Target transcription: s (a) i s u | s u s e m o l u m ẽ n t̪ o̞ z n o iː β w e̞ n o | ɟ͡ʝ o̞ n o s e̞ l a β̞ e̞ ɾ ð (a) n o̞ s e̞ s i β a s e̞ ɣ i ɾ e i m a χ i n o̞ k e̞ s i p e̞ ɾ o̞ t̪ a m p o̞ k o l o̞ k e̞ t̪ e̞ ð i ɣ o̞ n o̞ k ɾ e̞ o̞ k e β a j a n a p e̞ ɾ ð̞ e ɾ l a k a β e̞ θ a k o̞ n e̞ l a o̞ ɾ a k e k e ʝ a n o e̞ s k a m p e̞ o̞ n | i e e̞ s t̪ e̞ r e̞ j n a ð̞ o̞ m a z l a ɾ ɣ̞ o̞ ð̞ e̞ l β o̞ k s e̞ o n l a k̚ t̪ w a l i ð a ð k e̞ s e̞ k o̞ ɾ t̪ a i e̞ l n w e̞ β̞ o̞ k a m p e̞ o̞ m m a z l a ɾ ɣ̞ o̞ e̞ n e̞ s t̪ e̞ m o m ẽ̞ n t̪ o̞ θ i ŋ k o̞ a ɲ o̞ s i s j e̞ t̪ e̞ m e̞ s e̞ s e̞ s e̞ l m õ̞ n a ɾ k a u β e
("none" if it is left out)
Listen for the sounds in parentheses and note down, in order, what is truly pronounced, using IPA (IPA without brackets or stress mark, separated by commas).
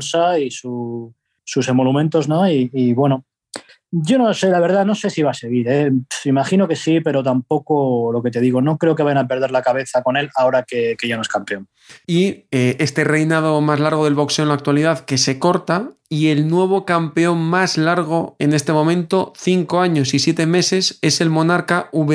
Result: a, a